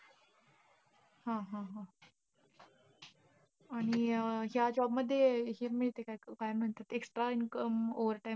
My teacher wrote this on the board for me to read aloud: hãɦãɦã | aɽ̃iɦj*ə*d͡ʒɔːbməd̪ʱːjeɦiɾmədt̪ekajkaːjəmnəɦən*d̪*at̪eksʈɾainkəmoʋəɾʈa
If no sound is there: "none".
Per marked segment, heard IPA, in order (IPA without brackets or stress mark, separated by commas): a, t̪